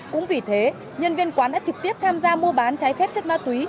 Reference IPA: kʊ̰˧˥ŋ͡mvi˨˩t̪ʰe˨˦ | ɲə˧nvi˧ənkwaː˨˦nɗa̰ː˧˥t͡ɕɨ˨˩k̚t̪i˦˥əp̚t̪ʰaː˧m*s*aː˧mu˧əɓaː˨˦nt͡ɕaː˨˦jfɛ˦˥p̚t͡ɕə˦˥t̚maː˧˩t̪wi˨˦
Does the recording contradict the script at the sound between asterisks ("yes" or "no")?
yes